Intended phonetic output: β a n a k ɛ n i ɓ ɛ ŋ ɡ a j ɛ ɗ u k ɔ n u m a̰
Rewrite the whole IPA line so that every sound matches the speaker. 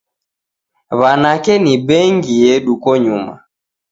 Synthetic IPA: β a n a k ɛ n i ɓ ɛ ŋ ɡ i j ɛ ɗ u k ɔ ɲ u m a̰